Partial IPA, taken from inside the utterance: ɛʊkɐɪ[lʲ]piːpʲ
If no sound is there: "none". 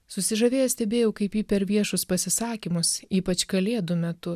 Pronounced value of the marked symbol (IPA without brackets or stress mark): none